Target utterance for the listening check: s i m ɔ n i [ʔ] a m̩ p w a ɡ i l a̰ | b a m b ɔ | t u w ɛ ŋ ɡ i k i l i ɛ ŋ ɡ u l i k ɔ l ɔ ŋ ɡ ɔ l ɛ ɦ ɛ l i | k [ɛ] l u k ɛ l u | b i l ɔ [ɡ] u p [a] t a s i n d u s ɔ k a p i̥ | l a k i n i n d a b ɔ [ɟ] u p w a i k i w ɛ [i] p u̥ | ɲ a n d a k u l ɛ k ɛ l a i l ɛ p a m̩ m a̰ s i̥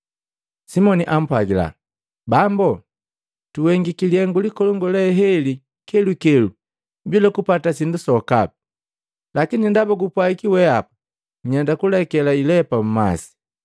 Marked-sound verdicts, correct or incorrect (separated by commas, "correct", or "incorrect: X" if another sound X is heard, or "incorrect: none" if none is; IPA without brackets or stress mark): correct, correct, incorrect: k, correct, incorrect: ɡ, incorrect: a